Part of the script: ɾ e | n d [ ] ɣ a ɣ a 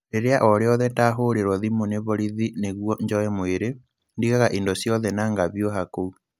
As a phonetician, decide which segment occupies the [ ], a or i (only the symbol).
i